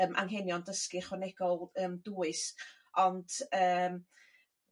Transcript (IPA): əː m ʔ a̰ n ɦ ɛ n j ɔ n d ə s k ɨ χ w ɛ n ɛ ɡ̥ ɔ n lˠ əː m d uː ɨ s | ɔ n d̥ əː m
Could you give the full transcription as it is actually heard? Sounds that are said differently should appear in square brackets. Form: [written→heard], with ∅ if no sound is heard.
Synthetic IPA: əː m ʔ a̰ [n→ŋ] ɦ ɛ n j ɔ n d ə s k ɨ χ w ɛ n ɛ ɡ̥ ɔ [n→∅] lˠ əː m d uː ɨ s | ɔ n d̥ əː m

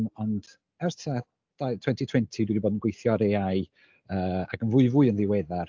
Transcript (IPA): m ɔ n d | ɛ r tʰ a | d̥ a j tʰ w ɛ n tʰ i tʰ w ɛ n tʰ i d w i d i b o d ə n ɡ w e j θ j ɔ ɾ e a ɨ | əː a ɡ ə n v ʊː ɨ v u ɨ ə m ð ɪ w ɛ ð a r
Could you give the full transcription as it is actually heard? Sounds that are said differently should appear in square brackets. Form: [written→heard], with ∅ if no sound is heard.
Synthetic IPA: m ɔ n d | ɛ r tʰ a | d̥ a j tʰ w ɛ n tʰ i tʰ w ɛ n tʰ i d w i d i b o d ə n ɡ w e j θ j ɔ ɾ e a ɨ | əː a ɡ ə n v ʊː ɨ v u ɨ ə [m→n] ð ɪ w ɛ ð a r

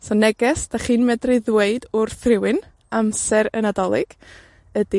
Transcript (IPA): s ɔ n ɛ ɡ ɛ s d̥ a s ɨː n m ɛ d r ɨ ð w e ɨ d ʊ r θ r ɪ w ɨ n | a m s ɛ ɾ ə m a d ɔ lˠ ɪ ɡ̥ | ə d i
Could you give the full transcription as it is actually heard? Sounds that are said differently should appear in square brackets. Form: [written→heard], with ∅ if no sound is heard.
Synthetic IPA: s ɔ n ɛ ɡ ɛ s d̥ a [s→χ] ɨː n m ɛ d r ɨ ð w e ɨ d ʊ r θ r ɪ w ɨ n | a m s ɛ ɾ ə [m→n] a d ɔ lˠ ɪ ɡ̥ | ə d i

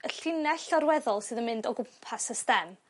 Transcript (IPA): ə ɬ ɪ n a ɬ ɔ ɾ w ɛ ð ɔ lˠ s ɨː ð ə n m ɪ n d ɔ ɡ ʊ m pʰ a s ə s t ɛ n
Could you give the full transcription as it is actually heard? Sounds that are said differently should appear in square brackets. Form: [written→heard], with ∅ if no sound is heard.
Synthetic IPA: ə ɬ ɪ n [a→ɛ] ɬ ɔ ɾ w ɛ ð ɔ lˠ s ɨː ð ə n m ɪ n d ɔ ɡ ʊ m pʰ a s ə s t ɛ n

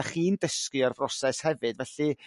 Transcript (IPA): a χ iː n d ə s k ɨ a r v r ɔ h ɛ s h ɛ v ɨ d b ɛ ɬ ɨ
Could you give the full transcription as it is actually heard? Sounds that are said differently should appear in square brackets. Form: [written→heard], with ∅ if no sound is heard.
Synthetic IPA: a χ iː n d ə s k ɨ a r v r ɔ [h→s] ɛ s h ɛ v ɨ d [b→v] ɛ ɬ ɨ

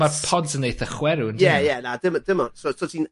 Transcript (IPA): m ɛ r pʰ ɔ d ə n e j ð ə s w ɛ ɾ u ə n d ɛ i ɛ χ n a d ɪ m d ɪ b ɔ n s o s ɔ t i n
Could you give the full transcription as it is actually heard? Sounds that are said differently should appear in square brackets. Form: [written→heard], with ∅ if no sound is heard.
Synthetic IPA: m [ɛ→a] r pʰ ɔ d ə n e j [ð→θ] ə [s→χ] w ɛ ɾ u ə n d ɛ [i→j] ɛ [χ→∅] n a d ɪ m d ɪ [b→m] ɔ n s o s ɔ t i n

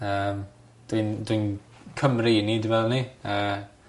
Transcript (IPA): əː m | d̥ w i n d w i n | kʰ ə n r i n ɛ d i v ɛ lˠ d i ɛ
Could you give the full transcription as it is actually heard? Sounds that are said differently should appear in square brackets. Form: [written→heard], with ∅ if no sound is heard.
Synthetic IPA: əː m | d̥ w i n d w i n | kʰ ə [n→m] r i n [ɛ→i] d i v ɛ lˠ [d→n] i [ɛ→a]

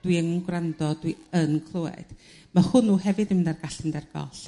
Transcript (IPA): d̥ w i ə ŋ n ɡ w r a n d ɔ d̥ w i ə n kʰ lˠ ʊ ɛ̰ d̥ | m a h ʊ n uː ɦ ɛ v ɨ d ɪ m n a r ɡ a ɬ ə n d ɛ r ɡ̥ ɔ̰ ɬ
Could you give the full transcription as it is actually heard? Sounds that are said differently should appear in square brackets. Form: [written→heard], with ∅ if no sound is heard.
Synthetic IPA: d̥ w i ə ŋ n ɡ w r a n d ɔ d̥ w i ə n kʰ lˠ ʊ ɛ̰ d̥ | m a h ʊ n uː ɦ ɛ v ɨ d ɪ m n a r ɡ a ɬ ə n d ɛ r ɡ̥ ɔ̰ ɬ

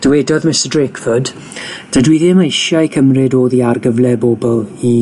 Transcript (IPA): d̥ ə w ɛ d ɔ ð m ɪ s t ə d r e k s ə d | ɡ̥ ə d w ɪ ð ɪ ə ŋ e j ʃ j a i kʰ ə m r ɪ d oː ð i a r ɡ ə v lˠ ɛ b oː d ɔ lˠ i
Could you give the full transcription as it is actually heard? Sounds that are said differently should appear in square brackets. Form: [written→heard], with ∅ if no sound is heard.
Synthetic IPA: d̥ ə w ɛ d ɔ ð m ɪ s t ə d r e k [s→f] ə d | [ɡ̥→d̥] ə d w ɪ ð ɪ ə [ŋ→m] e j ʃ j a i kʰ ə m r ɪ d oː ð i a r ɡ ə v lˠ ɛ b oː [d→b] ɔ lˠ i

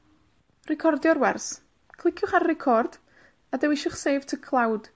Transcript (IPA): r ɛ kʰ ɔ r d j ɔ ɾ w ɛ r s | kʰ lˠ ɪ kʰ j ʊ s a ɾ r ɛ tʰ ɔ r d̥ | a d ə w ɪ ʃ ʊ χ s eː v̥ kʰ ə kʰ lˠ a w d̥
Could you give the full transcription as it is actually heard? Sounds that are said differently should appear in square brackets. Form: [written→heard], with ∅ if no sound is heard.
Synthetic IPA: r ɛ kʰ ɔ r d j ɔ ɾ w ɛ r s | kʰ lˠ ɪ kʰ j ʊ [s→χ] a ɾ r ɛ [tʰ→kʰ] ɔ r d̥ | a d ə w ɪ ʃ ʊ χ s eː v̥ [kʰ→tʰ] ə kʰ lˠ a w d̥

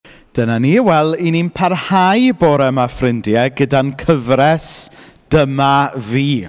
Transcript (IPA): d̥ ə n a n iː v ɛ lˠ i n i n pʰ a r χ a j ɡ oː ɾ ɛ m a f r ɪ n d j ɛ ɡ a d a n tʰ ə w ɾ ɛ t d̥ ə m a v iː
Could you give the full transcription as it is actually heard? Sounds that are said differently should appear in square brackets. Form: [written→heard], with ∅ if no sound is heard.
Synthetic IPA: d̥ ə n a n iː [v→w] ɛ lˠ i n i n pʰ a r [χ→h] a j [ɡ→b] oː ɾ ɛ m a f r ɪ n d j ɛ ɡ [a→ə] d a n [tʰ→kʰ] ə [w→v] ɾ ɛ [t→s] d̥ ə m a v iː

